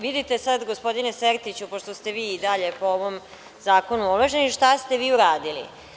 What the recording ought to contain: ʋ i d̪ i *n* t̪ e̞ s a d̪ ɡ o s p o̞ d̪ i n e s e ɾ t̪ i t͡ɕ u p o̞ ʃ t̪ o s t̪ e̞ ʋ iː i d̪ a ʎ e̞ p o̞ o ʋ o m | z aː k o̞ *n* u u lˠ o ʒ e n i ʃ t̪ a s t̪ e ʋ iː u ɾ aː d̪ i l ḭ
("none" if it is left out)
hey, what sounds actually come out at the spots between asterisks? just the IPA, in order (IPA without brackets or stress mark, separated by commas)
none, n